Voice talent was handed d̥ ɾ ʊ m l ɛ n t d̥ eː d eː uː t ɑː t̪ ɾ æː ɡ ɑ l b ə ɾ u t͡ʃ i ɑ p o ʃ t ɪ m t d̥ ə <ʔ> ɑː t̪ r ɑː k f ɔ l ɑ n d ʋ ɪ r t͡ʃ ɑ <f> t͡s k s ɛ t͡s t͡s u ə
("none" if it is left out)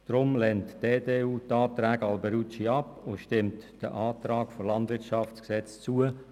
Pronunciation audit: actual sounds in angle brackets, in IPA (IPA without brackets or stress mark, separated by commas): ʔ, f